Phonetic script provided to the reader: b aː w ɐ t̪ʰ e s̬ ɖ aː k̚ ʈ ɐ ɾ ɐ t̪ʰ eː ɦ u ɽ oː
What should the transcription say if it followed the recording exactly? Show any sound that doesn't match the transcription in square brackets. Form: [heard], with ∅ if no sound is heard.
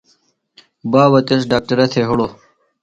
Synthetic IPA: b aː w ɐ [t̪] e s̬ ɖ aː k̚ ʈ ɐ ɾ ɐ t̪ʰ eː ɦ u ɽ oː